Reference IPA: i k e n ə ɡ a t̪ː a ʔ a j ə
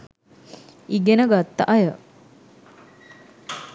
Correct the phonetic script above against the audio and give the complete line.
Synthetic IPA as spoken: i ɡ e n ə ɡ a t̪ː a ʔ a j ə